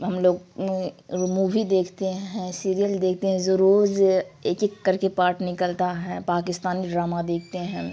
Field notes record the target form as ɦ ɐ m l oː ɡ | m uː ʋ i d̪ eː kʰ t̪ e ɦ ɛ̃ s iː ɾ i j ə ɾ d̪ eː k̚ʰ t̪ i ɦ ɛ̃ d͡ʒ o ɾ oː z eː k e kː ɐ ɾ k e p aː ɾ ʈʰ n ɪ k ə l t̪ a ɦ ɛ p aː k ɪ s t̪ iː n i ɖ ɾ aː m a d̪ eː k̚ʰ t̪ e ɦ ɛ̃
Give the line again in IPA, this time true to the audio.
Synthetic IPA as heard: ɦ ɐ m l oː ɡ | m uː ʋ i d̪ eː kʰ t̪ e ɦ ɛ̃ s iː ɾ i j ə l d̪ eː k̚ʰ t̪ e ɦ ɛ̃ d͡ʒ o ɾ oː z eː k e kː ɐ ɾ k e p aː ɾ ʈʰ n ɪ k ə l t̪ a ɦ ɛ p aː k ɪ s t̪ aː n i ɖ ɾ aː m a d̪ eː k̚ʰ t̪ e ɦ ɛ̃